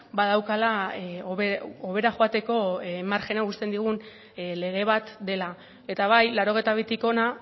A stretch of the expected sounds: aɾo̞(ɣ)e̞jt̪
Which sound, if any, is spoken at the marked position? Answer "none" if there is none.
ɣ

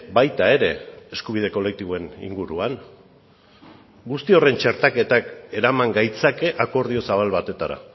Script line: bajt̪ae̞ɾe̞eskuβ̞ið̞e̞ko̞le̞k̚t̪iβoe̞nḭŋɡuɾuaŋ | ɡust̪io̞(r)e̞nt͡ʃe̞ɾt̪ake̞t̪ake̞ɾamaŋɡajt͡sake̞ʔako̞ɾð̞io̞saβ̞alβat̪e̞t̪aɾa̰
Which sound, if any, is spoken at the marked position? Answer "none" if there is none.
r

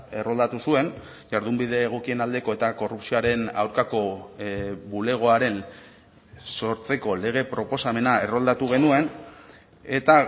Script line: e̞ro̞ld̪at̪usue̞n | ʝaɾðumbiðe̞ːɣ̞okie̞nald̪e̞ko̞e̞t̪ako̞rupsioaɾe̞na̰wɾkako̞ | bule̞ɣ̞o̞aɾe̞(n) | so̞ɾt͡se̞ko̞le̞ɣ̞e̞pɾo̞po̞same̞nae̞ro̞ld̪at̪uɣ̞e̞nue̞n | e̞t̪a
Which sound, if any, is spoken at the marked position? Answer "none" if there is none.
n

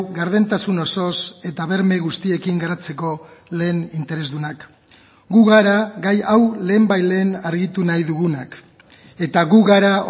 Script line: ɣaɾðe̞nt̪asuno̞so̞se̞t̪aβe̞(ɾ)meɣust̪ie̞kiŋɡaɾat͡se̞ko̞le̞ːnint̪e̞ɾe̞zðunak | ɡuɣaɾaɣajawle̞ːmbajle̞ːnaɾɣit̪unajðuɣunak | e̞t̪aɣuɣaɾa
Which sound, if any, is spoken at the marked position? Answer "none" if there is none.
ɾ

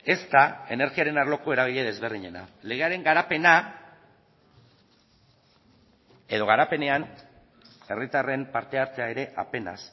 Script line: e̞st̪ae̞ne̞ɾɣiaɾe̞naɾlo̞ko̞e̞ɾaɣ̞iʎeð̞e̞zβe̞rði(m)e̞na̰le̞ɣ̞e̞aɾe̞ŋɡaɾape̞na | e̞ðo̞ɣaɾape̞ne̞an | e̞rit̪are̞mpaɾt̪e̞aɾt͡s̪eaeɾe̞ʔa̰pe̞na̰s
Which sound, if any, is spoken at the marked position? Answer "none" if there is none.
ɲ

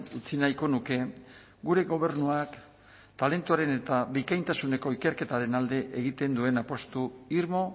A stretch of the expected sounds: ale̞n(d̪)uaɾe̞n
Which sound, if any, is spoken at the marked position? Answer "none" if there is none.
t̪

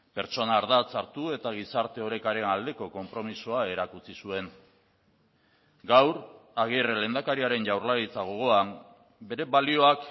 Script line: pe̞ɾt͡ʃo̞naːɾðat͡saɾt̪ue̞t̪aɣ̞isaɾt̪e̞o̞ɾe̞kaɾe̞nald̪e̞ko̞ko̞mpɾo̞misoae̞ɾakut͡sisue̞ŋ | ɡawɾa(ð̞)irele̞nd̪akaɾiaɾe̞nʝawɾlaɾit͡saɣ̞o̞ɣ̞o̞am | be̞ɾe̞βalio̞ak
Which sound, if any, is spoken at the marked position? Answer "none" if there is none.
ɣ̞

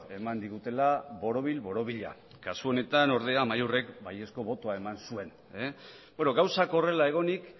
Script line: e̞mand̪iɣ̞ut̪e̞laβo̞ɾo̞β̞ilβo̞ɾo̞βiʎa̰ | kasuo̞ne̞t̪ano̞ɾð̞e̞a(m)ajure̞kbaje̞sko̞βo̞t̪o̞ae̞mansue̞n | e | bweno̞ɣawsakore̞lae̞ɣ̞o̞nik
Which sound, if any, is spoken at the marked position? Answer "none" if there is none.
m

